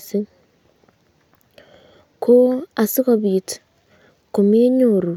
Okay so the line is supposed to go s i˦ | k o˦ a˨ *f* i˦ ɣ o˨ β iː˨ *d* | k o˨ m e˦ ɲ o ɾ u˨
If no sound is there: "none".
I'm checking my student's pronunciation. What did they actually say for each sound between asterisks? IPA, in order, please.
s, t

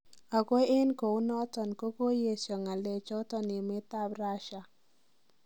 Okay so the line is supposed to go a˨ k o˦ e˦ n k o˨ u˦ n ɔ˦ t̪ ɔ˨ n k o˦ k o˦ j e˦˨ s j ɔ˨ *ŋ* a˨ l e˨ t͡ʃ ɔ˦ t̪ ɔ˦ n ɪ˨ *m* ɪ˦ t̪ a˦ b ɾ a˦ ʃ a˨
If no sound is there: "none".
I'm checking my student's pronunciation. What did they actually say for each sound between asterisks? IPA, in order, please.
ŋ, m

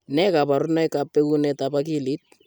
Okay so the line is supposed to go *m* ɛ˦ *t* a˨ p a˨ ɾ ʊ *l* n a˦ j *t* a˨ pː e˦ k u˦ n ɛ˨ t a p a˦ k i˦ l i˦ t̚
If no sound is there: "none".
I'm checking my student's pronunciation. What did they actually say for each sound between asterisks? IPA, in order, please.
n, k, none, k

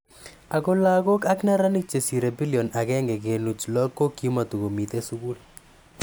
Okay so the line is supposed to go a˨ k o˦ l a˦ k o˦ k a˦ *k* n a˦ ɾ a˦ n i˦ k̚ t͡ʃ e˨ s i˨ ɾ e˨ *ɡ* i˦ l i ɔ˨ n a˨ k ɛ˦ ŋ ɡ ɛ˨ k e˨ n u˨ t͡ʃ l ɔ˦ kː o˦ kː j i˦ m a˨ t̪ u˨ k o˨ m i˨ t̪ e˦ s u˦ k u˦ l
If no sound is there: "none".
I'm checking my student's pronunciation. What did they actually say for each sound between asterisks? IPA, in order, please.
k, b

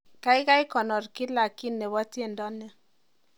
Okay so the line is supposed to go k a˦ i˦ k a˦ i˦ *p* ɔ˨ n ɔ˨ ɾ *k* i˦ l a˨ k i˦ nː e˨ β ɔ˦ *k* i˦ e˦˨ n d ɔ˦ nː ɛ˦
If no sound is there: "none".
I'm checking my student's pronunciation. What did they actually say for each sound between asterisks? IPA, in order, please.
k, k, t

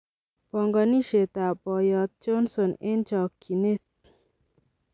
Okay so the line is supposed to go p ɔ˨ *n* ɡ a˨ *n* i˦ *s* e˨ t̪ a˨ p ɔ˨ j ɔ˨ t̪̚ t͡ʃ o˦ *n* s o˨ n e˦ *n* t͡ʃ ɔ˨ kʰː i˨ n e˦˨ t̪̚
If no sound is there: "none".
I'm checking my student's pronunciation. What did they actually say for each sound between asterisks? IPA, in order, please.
ŋ, n, ʃ, n, n

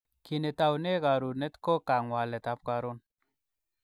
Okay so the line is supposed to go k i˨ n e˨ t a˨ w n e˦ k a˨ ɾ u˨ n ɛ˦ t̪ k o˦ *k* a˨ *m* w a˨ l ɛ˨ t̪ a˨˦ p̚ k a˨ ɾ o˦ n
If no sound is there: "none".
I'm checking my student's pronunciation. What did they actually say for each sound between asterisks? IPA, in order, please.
k, ŋ

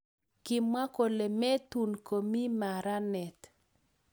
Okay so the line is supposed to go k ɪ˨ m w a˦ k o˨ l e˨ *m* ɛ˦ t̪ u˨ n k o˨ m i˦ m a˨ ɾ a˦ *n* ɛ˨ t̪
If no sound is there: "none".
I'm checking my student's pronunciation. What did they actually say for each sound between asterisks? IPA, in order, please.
m, n

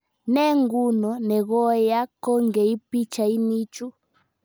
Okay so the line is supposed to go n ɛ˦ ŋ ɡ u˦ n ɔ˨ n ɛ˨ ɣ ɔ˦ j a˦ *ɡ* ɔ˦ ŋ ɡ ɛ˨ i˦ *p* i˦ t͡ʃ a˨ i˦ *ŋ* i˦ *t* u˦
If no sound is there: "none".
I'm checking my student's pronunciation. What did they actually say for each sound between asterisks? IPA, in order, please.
k, p, n, t͡ʃ

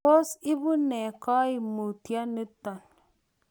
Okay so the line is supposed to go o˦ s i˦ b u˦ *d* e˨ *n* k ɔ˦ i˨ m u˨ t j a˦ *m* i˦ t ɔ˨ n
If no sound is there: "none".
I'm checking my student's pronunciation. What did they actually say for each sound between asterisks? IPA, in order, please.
n, none, n

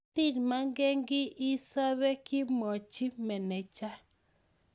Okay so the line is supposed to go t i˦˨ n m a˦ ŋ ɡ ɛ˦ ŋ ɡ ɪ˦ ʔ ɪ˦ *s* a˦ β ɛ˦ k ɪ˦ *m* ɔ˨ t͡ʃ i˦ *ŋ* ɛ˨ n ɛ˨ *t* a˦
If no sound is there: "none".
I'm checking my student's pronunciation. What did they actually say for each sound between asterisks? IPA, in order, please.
s, m, m, t͡ʃ

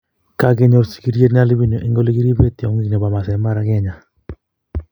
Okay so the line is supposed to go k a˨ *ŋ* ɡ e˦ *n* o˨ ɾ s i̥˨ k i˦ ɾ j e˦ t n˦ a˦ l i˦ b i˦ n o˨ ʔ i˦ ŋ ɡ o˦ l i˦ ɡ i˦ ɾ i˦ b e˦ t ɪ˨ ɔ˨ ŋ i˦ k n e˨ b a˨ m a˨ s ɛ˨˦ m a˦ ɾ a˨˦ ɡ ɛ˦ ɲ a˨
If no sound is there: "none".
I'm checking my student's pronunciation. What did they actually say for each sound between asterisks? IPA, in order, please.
none, ɲ

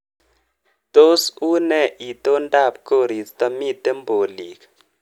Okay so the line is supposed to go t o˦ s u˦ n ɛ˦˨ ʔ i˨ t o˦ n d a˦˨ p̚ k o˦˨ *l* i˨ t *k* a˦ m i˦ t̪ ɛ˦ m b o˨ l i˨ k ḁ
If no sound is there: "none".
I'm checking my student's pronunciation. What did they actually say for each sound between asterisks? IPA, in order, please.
ɾ, t

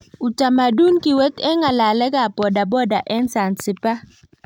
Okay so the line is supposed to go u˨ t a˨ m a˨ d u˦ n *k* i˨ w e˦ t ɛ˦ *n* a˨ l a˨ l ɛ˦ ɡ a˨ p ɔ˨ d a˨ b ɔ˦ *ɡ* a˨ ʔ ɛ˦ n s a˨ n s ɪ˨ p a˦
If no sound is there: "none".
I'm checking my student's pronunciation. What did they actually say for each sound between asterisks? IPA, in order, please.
k, ŋ, d

